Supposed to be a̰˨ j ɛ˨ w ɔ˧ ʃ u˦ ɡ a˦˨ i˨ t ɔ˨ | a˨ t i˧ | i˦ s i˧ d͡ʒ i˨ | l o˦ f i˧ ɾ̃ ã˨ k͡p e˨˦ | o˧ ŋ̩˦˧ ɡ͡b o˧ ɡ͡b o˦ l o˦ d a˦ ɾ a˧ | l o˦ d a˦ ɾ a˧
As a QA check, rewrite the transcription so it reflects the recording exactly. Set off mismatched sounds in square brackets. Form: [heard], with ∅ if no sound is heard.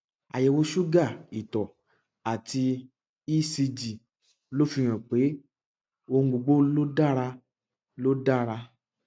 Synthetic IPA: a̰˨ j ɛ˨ w [o˧] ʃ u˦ ɡ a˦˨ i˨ t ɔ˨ | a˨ t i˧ | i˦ s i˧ d͡ʒ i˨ | l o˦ f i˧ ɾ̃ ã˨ k͡p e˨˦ | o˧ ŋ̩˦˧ ɡ͡b o˧ ɡ͡b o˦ l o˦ d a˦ ɾ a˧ | l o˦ d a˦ ɾ a˧